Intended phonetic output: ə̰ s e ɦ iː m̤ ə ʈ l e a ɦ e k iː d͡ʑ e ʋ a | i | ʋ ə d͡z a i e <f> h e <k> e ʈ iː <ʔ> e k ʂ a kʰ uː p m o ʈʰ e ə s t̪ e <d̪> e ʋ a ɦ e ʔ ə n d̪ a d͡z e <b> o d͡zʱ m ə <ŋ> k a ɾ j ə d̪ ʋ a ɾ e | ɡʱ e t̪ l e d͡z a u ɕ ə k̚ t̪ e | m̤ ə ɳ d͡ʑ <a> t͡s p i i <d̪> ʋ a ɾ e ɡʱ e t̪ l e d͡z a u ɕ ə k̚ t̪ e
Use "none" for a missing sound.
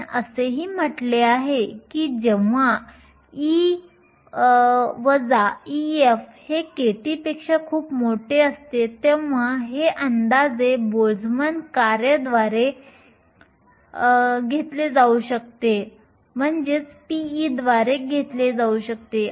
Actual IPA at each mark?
f, k, p, t̪, b, n, e, d̪

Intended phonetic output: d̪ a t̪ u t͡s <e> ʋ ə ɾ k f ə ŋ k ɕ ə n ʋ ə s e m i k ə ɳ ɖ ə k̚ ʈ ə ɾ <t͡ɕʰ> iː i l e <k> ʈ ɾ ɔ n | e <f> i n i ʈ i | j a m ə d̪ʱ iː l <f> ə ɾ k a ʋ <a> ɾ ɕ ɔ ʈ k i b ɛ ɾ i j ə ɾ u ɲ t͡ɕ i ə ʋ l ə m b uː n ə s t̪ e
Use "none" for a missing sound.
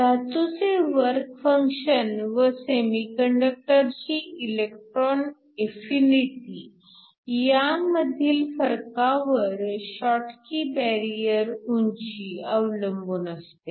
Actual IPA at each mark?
e, t͡ɕ, k, f, f, ə

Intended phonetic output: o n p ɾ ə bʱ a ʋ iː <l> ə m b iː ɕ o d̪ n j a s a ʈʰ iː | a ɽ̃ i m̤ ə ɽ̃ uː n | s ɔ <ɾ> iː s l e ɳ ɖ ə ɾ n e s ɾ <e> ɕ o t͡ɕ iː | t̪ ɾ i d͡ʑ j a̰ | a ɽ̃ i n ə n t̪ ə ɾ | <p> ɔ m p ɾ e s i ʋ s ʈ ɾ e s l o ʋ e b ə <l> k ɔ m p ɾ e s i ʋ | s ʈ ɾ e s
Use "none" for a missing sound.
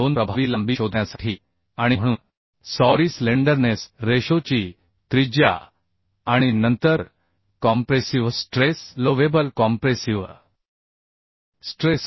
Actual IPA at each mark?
l, ɾ, e, k, l

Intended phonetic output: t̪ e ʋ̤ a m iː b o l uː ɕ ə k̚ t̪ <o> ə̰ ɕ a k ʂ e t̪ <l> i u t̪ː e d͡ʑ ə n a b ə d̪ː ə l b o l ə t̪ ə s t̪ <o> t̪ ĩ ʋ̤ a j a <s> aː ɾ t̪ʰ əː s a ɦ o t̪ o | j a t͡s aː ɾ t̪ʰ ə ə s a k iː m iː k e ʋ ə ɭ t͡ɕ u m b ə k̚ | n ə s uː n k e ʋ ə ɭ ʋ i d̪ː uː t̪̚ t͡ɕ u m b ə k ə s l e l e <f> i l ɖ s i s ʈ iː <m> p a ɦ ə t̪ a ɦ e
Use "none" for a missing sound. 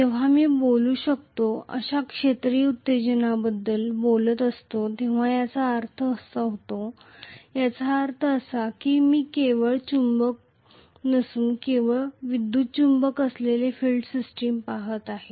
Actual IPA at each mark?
o, ɾ, o, t͡s, f, m

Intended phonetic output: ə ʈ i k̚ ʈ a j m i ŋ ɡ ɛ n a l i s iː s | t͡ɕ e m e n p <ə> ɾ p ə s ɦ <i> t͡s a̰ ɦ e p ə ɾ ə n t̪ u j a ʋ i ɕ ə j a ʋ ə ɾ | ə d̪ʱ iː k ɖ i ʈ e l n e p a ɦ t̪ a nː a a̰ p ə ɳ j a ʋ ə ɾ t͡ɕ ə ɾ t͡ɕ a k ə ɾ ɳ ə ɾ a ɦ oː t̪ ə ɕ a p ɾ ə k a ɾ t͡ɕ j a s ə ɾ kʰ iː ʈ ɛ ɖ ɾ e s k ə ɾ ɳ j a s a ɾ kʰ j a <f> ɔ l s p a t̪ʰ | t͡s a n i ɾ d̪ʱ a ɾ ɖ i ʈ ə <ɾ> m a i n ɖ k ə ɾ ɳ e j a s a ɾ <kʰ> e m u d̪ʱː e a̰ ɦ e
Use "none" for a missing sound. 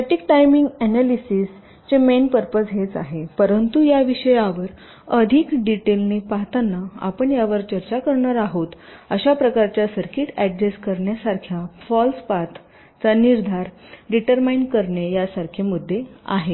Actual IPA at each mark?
ə, e, f, ɾ, kʰ

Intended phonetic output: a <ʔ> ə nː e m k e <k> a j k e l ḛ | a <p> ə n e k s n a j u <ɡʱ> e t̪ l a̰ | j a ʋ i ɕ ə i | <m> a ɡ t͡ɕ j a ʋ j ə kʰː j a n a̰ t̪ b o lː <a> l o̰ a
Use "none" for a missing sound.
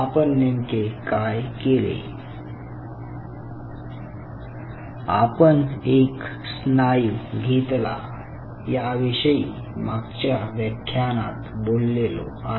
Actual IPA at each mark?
p, k, p, ɡʱ, m, e

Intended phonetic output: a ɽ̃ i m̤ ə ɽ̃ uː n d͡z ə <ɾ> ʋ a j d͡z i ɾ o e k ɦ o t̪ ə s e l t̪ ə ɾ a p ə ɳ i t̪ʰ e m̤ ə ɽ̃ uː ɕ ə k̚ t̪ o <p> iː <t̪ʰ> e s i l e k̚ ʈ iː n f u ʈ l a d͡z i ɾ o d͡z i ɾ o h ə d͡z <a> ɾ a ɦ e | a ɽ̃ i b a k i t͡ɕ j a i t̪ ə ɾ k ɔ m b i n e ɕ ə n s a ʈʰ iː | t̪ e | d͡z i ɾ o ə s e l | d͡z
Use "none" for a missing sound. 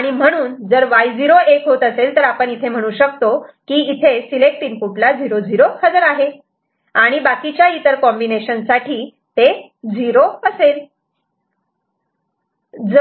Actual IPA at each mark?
ɾ, k, t̪ʰ, ə

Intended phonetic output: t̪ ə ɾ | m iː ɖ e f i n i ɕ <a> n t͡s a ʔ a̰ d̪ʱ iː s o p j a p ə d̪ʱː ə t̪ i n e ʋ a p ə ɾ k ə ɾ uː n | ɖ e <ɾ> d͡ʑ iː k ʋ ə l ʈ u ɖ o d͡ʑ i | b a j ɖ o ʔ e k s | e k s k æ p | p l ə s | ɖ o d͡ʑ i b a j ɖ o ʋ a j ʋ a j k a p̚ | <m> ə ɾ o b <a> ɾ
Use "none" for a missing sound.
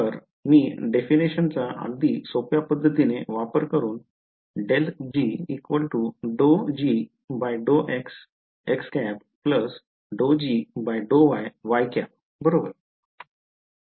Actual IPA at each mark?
ə, l, b, ə

